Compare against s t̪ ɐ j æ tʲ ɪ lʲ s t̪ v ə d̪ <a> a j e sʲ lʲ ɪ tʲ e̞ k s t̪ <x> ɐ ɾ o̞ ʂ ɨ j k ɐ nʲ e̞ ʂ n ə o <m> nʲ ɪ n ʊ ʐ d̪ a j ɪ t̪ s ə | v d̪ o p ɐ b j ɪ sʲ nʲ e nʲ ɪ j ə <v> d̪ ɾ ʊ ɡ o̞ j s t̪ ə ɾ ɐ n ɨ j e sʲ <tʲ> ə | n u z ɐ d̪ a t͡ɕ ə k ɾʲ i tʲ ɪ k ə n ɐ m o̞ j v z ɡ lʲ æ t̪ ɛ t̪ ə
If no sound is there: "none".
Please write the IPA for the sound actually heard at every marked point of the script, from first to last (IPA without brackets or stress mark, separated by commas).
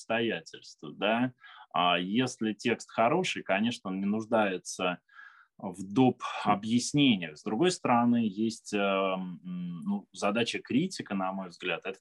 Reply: a, x, n, z, tʲ